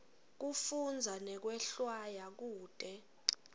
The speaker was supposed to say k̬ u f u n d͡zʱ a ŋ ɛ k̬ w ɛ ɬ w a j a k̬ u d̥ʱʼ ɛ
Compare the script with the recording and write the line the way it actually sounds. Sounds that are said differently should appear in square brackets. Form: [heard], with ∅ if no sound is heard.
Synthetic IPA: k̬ u f u n d͡zʱ a [n] ɛ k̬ w ɛ ɬ w a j a k̬ [uː] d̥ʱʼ ɛ